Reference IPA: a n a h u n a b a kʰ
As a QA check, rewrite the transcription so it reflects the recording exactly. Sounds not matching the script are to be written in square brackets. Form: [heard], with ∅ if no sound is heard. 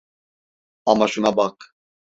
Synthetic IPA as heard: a [m] a [ʃ] u n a b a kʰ